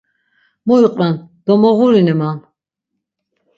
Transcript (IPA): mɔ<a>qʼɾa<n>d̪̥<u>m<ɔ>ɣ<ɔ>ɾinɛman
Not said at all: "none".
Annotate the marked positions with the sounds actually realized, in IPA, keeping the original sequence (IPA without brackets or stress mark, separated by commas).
i, n, ɔ, ɔ, u